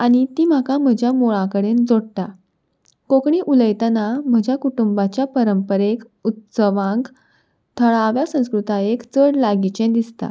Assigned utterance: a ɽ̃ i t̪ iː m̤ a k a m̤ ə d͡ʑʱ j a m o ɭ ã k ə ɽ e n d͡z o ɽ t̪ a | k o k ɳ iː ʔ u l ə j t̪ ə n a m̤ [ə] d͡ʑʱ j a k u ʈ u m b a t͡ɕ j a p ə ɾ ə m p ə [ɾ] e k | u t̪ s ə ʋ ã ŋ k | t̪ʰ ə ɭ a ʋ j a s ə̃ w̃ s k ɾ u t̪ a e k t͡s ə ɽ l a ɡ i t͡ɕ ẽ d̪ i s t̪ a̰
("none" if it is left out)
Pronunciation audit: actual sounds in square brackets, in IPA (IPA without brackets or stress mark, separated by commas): ə, ɾ